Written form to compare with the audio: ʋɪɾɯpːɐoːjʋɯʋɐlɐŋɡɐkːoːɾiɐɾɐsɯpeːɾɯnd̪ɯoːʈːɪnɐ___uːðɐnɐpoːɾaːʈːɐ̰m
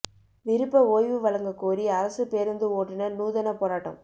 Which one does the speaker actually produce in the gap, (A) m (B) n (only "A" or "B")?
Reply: B